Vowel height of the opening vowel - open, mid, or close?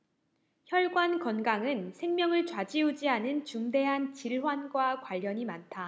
mid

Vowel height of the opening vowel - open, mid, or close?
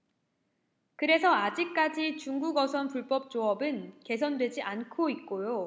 close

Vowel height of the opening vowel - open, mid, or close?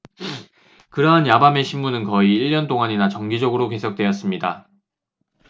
close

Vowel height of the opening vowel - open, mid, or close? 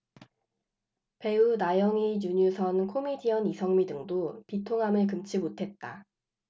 mid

